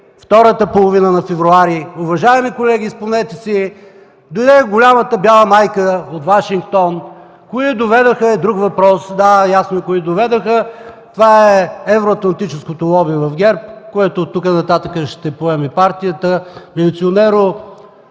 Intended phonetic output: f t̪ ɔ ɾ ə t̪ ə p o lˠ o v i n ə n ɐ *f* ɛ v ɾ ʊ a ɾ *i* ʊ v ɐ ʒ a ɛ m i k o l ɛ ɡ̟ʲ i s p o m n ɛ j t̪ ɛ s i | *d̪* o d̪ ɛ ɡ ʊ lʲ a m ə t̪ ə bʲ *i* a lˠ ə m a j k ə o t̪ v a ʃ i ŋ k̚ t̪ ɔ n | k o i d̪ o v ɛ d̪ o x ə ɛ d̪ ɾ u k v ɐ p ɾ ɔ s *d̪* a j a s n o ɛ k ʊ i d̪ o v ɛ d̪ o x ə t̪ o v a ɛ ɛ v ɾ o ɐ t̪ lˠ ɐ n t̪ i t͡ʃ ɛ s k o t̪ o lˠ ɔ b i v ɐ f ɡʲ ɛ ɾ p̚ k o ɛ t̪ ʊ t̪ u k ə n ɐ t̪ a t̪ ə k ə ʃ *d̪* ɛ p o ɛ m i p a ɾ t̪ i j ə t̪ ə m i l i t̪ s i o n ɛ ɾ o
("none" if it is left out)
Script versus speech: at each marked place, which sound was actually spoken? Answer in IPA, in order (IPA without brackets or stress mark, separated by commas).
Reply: f, i, d̪, j, d̪, t̪